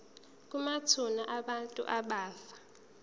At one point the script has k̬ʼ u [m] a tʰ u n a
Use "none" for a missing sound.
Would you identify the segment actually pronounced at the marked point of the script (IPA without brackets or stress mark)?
m